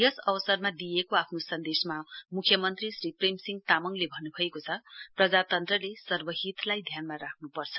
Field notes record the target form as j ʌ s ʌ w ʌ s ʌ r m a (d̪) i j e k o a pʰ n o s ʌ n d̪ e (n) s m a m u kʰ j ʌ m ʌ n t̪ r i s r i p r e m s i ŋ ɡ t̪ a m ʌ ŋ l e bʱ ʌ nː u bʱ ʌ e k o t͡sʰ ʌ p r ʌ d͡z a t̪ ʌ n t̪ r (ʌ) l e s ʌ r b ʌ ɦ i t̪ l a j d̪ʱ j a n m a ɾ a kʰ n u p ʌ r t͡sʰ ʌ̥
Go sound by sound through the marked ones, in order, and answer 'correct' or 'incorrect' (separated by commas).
correct, incorrect, correct